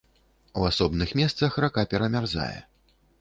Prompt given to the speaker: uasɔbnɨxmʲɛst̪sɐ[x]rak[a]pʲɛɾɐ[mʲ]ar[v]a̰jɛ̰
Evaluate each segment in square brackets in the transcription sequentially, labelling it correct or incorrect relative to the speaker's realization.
correct, correct, correct, incorrect

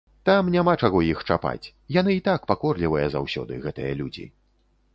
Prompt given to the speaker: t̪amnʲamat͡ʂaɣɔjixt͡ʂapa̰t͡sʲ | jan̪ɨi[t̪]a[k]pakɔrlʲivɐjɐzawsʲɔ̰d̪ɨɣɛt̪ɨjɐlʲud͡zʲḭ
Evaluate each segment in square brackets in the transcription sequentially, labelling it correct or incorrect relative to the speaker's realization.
correct, correct

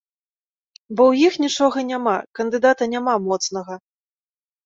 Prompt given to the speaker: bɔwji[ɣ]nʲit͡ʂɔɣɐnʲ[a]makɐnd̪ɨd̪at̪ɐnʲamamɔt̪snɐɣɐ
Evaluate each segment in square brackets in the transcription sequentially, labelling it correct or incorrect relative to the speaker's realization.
incorrect, correct

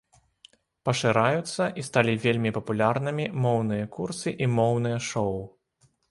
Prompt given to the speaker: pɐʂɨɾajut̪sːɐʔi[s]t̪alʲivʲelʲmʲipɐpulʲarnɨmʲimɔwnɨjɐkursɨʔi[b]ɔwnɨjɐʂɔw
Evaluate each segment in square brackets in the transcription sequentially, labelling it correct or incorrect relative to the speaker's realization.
correct, incorrect

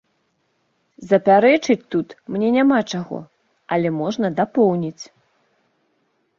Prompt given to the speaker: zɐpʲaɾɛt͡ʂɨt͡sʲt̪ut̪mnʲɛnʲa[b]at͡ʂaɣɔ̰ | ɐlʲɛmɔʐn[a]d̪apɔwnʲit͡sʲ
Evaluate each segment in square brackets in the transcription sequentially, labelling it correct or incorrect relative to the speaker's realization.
incorrect, incorrect

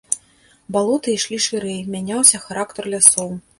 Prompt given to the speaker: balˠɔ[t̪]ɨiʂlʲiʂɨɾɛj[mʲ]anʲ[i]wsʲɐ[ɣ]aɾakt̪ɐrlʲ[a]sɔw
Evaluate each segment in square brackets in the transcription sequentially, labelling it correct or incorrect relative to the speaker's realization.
correct, correct, incorrect, incorrect, correct

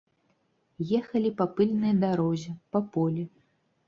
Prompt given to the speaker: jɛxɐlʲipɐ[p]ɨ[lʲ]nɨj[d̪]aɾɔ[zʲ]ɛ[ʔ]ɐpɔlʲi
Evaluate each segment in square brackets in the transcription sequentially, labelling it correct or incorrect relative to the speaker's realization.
correct, correct, correct, correct, incorrect

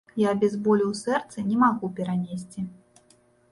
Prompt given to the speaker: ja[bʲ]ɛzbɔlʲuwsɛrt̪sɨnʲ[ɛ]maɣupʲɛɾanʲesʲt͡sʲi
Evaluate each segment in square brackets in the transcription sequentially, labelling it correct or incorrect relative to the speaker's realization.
correct, correct

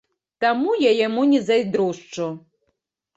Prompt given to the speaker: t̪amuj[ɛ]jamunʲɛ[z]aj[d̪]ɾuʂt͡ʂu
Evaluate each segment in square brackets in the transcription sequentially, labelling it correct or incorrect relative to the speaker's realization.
incorrect, correct, correct

